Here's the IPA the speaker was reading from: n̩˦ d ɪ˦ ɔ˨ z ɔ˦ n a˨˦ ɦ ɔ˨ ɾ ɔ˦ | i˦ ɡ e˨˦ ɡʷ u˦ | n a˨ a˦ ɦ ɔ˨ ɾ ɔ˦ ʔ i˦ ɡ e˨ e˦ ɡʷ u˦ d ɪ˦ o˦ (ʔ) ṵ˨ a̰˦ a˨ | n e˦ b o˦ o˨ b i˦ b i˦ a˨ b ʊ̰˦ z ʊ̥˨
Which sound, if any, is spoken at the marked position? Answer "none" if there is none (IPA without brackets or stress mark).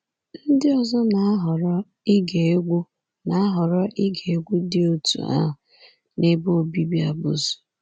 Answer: t